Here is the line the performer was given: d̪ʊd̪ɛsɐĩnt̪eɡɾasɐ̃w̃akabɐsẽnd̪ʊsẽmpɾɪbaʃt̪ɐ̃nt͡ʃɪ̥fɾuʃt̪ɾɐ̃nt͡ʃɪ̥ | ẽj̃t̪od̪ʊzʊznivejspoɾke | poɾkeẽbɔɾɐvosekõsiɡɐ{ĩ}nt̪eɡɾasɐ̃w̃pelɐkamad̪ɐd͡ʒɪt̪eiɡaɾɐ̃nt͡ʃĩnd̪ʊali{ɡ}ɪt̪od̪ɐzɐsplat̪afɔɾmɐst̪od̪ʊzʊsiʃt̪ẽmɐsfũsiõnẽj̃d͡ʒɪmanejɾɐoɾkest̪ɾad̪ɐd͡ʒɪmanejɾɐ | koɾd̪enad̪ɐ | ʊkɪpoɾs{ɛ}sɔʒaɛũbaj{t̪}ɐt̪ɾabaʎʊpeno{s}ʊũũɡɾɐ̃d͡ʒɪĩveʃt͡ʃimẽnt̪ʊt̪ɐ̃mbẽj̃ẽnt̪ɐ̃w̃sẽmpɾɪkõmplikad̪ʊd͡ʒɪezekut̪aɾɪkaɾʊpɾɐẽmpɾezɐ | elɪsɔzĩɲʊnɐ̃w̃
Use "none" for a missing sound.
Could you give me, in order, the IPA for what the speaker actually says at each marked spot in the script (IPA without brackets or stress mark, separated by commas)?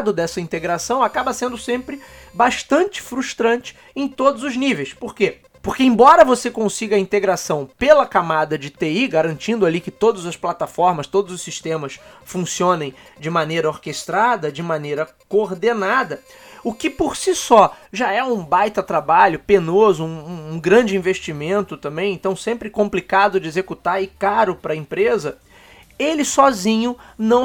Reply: ĩ, k, i, t̪, z